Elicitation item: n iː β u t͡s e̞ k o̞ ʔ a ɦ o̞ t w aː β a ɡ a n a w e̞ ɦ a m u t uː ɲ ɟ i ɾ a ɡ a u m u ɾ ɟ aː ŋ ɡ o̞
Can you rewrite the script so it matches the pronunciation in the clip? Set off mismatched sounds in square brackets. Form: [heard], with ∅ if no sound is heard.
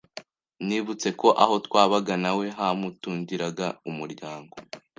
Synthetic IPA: n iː β u t͡s e̞ k o̞ ʔ a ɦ o̞ t w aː β a ɡ a n a w e̞ ɦ a m u t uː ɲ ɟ i ɾ a ɡ a u m u ɾ ɟ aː ŋ ɡ o̞